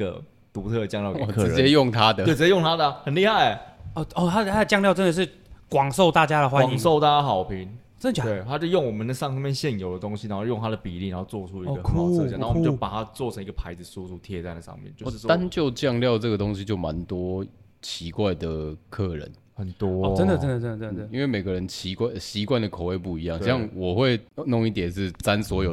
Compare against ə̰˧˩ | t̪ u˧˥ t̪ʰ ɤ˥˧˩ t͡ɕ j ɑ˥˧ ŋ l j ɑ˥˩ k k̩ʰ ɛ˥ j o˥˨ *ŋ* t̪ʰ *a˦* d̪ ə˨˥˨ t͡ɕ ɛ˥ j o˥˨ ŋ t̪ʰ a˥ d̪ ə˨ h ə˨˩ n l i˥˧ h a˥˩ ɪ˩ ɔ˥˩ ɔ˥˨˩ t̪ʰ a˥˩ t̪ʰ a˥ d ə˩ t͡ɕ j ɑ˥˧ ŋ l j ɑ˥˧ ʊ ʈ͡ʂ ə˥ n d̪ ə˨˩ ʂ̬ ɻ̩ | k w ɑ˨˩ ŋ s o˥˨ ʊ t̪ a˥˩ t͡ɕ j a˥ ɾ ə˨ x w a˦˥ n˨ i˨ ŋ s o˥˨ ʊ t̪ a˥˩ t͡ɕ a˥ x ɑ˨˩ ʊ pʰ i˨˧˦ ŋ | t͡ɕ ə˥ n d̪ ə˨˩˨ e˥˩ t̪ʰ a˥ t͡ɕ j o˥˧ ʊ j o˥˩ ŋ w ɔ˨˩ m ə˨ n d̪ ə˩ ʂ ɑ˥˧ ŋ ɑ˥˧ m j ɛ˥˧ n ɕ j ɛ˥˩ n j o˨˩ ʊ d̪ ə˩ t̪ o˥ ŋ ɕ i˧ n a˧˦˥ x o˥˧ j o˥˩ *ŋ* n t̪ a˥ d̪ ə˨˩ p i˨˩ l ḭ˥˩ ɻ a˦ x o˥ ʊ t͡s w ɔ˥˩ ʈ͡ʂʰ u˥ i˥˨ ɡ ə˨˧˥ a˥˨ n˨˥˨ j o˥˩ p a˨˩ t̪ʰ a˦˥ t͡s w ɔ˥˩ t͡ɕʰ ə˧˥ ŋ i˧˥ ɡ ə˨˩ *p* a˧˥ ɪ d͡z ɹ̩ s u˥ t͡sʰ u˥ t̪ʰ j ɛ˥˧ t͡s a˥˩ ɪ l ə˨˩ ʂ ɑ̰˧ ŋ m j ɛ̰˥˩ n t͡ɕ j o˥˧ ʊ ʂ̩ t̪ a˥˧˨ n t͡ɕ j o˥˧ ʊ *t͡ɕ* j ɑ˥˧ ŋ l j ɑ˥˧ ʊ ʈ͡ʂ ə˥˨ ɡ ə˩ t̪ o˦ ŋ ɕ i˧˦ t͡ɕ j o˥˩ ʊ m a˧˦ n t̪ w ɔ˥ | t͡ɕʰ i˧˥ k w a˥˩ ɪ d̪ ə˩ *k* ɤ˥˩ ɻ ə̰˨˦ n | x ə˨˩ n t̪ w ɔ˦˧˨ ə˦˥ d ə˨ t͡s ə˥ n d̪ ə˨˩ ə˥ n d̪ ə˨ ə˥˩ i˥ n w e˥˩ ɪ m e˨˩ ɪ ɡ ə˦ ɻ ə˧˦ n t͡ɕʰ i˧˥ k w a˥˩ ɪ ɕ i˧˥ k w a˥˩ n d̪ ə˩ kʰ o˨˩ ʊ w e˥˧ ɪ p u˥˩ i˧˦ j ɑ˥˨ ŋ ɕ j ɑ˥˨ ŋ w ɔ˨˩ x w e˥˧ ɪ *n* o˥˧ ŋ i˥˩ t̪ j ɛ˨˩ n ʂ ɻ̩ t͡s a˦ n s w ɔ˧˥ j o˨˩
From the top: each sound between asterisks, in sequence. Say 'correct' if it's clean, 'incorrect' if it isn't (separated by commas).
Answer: correct, correct, correct, incorrect, correct, incorrect, correct